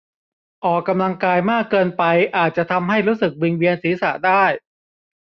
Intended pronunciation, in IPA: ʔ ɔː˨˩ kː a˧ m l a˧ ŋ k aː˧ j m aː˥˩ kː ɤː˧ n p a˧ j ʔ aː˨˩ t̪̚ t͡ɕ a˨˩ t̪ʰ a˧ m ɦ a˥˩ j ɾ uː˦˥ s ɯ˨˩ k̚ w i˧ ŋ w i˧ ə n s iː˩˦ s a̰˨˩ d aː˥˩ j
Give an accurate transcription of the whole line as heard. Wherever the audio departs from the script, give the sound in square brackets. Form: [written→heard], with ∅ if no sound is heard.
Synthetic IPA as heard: ʔ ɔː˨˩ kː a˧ m l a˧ ŋ k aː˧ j m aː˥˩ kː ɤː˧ n p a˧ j ʔ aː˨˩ t̪̚ t͡ɕ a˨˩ t̪ʰ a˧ m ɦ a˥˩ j ɾ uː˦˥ s ɯ˨˩ k̚ w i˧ ŋ w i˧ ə n s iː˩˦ s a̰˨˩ d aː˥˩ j